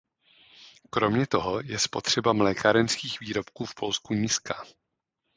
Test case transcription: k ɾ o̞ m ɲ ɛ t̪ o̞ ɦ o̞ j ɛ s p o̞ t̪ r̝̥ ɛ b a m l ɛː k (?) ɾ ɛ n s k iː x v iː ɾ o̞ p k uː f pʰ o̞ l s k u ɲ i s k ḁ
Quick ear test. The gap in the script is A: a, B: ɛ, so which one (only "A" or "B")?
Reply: A